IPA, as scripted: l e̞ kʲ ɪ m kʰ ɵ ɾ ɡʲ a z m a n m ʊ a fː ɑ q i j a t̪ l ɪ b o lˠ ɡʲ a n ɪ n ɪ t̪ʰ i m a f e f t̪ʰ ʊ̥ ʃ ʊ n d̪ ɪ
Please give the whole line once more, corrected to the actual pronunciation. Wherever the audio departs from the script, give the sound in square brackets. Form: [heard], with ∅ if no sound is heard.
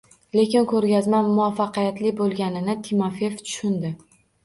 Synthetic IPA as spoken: l e̞ kʲ ɪ [n] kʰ ɵ ɾ ɡʲ a z m a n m ʊ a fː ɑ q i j a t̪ l ɪ b o lˠ ɡʲ a n ɪ n ɪ t̪ʰ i m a f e f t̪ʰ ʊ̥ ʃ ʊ n d̪ ɪ